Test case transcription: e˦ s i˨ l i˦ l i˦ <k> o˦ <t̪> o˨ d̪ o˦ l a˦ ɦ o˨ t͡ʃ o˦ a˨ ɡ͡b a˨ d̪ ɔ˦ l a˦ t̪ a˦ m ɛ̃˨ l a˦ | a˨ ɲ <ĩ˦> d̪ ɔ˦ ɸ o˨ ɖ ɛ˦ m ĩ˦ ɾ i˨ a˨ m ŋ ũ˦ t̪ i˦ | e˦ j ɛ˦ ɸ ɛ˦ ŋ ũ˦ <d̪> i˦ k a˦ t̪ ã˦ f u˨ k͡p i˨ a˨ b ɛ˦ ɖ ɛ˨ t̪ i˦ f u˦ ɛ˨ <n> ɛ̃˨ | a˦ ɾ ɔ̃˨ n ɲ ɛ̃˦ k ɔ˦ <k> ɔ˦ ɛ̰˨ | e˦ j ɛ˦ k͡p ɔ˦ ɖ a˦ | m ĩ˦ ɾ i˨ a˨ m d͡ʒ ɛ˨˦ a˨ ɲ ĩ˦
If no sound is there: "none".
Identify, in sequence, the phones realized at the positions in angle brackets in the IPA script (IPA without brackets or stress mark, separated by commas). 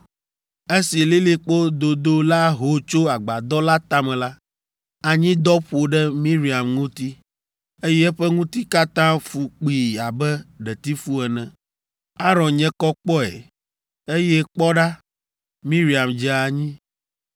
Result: k͡p, d̪, ĩ˦, t̪, n, k͡p